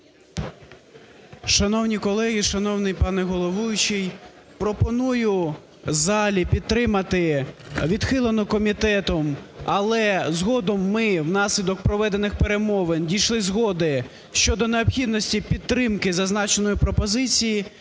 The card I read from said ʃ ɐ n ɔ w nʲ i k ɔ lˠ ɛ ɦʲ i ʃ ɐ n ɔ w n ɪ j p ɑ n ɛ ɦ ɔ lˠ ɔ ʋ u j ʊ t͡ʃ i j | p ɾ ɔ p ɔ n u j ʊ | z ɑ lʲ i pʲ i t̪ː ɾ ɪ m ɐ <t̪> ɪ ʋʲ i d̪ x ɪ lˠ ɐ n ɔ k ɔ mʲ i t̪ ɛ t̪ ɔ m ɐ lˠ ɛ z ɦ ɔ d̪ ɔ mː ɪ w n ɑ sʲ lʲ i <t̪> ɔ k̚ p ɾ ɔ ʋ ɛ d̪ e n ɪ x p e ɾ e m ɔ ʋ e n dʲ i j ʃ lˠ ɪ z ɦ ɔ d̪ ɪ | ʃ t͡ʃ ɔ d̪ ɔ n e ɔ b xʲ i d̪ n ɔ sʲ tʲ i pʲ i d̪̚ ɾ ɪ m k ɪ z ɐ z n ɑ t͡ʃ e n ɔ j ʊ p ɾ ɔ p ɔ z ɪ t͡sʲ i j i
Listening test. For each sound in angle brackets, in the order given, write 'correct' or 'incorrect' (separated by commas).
correct, incorrect